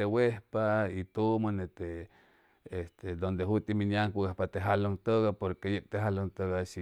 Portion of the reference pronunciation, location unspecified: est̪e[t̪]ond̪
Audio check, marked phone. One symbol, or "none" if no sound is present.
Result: d̪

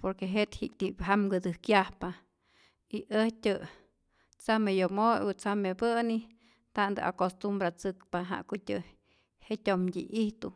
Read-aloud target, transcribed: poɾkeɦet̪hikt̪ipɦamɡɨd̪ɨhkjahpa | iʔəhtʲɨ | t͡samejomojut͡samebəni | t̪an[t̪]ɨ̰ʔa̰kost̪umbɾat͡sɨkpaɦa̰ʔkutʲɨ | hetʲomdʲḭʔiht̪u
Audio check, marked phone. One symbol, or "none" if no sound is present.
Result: d̪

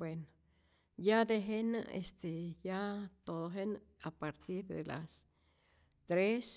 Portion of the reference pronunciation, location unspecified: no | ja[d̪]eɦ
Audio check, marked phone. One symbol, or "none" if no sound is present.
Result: d̪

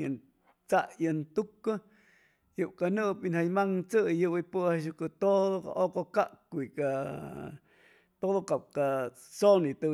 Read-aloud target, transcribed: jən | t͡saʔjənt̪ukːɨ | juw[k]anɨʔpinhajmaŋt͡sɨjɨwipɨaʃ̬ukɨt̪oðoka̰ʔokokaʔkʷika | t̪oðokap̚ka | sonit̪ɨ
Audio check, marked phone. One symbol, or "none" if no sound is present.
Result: k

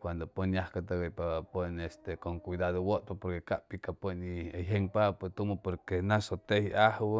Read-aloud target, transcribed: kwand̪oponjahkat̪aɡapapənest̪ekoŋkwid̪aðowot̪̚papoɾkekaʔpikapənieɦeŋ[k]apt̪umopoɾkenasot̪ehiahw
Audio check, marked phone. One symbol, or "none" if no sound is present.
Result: p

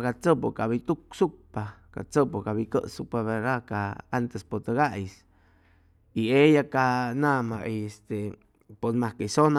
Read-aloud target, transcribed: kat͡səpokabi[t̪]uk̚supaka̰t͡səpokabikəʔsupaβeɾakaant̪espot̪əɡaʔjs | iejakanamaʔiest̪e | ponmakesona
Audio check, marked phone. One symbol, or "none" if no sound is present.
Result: t̪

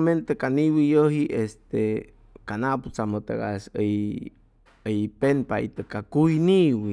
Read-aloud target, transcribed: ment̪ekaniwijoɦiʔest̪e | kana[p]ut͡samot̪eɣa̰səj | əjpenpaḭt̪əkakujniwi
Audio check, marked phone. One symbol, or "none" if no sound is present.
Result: p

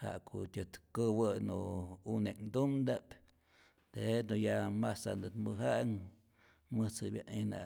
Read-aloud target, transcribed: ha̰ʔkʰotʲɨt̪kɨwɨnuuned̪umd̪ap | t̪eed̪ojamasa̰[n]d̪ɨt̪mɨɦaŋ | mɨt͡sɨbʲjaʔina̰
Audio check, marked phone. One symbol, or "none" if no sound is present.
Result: n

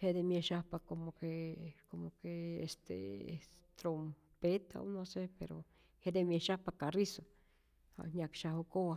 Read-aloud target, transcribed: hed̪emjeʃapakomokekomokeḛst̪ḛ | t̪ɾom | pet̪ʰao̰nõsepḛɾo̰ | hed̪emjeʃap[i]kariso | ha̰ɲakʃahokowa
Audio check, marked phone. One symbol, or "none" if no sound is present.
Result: a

